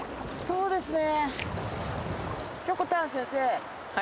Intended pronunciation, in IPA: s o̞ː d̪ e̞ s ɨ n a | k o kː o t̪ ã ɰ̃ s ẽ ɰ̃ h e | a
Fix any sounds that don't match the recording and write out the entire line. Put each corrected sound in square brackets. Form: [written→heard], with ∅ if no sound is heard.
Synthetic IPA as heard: s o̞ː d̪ e̞ s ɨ n [a→e] | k o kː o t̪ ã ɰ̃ s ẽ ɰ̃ [h→s] e | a

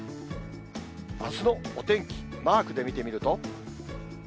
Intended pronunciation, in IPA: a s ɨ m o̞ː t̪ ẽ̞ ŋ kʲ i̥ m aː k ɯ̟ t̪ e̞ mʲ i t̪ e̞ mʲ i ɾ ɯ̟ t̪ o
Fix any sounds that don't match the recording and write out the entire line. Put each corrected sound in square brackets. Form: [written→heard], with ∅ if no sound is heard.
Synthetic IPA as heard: a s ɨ [m→n] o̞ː t̪ ẽ̞ ŋ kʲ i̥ m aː k ɯ̟ [t̪→d̪] e̞ mʲ i t̪ e̞ mʲ i ɾ ɯ̟ t̪ o

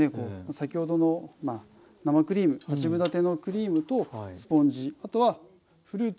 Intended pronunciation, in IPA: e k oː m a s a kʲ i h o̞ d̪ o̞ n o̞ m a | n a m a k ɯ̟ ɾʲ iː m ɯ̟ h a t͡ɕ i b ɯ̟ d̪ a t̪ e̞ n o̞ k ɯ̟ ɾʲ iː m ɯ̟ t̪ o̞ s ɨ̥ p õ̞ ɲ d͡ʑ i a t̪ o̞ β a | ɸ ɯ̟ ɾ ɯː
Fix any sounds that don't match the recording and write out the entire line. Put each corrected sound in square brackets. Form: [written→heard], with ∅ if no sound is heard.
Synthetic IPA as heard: e k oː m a s a kʲ i h o̞ d̪ o̞ n o̞ m a | n a m a k ɯ̟ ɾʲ iː m ɯ̟ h a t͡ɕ i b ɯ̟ d̪ a t̪ e̞ n o̞ k ɯ̟ ɾʲ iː m ɯ̟ t̪ o̞ s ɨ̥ p õ̞ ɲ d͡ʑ i a t̪ o̞ β a | ɸ ɯ̟ ɾ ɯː

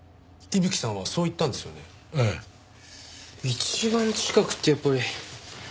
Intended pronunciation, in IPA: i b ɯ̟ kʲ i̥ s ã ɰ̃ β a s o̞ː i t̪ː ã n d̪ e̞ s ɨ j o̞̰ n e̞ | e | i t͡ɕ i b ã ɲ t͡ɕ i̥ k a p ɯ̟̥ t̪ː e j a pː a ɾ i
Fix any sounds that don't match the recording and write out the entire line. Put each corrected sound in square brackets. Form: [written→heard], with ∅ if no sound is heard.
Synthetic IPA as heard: i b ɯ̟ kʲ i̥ s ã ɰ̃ β a s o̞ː i t̪ː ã n d̪ e̞ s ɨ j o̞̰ n e̞ | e | i t͡ɕ i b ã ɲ t͡ɕ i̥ k a [p→k] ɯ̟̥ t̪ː e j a pː a ɾ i

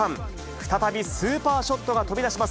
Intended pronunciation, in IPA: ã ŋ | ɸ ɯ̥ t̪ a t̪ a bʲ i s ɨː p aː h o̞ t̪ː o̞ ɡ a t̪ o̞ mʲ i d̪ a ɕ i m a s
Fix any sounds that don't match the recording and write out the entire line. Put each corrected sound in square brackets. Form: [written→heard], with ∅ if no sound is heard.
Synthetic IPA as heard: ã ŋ | ɸ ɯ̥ t̪ a t̪ a bʲ i s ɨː p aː [h→ɕ] o̞ t̪ː o̞ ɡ a t̪ o̞ [mʲ→bʲ] i d̪ a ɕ i m a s

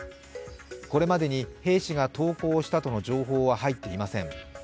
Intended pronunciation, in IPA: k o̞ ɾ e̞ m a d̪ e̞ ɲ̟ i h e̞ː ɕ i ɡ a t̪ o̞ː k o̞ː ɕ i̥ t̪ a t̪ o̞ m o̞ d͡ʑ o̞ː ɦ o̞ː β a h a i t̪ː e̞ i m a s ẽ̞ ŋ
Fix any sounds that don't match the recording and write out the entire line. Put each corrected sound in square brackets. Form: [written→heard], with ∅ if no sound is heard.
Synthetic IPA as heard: k o̞ ɾ e̞ m a d̪ e̞ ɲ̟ i h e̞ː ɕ i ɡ a t̪ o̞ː k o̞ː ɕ i̥ t̪ a t̪ o̞ [m→n] o̞ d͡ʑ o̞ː ɦ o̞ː β a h a i t̪ː e̞ i m a s ẽ̞ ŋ

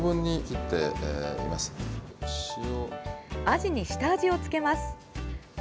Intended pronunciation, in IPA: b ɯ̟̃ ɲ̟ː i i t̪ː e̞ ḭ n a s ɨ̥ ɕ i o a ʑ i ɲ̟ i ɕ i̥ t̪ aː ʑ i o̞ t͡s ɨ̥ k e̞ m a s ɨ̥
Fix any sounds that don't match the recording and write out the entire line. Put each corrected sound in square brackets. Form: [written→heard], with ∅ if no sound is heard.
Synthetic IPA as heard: b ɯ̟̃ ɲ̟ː i i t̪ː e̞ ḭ [n→m] a s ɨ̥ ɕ i o a ʑ i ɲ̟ i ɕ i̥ t̪ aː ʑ i o̞ t͡s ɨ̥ k e̞ m a s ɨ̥

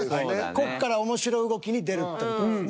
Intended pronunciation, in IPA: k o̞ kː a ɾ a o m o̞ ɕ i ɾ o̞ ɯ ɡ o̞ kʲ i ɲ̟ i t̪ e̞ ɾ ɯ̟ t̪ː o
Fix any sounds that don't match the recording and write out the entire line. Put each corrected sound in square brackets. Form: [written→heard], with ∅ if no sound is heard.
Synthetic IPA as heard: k o̞ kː a ɾ a o m o̞ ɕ i ɾ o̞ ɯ ɡ o̞ kʲ i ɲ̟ i [t̪→d̪] e̞ ɾ ɯ̟ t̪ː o

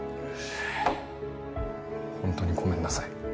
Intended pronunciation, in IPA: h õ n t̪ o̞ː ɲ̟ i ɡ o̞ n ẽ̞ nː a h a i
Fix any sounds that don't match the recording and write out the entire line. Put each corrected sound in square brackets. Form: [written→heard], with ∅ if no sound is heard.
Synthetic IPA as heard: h õ n t̪ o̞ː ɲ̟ i ɡ o̞ [n→m] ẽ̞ nː a [h→s] a i

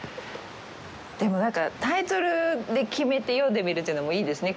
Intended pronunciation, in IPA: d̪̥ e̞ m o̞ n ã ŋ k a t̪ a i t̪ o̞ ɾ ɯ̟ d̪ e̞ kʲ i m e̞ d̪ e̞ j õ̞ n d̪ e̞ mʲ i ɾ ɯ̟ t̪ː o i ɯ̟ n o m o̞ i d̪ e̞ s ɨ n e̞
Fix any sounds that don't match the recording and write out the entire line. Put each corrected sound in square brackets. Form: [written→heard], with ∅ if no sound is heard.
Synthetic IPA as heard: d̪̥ e̞ m o̞ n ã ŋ k a t̪ a i t̪ o̞ ɾ ɯ̟ d̪ e̞ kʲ i m e̞ [d̪→t̪] e̞ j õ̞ n d̪ e̞ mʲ i ɾ ɯ̟ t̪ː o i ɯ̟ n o m o̞ [i→iː] d̪ e̞ s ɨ n e̞

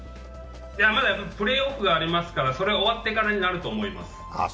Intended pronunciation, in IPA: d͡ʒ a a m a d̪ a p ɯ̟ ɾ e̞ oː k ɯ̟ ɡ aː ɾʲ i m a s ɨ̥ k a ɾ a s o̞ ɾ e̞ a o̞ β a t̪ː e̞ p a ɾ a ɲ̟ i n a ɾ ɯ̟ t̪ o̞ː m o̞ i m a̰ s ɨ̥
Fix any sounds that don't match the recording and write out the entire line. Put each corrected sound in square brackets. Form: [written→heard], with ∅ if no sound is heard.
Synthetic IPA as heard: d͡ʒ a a m a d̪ a p ɯ̟ ɾ e̞ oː k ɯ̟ ɡ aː ɾʲ i m a s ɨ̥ k a ɾ a s o̞ ɾ e̞ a o̞ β a t̪ː e̞ [p→k] a ɾ a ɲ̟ i n a ɾ ɯ̟ t̪ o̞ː m o̞ i m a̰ s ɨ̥

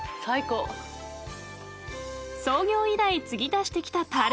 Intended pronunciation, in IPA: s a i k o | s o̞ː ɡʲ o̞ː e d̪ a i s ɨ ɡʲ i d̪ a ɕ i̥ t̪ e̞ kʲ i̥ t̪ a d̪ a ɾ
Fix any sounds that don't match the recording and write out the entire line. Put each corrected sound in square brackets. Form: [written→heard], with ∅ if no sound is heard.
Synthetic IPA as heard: s a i k o | s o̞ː ɡʲ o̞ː [e→i] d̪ a i [s→t͡s] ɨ ɡʲ i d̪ a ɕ i̥ t̪ e̞ kʲ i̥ t̪ a [d̪→t̪] a ɾ

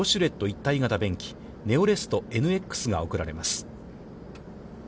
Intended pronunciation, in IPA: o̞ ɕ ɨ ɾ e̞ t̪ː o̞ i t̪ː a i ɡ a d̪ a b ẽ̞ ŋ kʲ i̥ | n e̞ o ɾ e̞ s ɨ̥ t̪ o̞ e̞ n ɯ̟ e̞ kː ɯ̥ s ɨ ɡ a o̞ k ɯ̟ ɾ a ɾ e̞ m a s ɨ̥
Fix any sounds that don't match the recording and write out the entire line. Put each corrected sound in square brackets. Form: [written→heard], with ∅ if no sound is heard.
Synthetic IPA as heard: o̞ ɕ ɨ ɾ e̞ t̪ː o̞ i t̪ː a i ɡ a [d̪→t̪] a b ẽ̞ ŋ kʲ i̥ | n e̞ o ɾ e̞ s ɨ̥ t̪ o̞ e̞ n ɯ̟ e̞ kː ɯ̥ s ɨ ɡ a o̞ k ɯ̟ ɾ a ɾ e̞ m a s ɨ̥

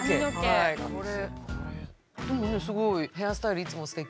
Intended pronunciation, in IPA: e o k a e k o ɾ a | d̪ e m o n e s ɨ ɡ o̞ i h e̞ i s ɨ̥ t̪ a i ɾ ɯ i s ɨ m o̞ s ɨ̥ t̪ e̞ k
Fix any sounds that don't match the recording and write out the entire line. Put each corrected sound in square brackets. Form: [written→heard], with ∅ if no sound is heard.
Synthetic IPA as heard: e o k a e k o ɾ [a→e] | d̪ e m o n e s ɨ ɡ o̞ i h e̞ [i→a] s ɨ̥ t̪ a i ɾ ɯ i [s→t͡s] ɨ m o̞ s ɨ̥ t̪ e̞ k

